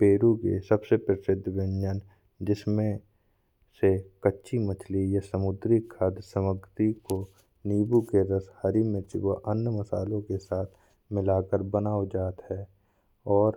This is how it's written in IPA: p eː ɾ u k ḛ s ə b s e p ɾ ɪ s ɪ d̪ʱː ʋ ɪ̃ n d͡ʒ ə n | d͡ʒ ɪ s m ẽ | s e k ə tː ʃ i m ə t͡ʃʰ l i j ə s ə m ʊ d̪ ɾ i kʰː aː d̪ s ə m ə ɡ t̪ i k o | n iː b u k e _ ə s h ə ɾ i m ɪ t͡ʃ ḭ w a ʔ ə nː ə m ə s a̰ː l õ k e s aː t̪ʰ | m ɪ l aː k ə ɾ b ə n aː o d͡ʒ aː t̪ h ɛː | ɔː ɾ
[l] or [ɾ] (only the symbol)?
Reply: ɾ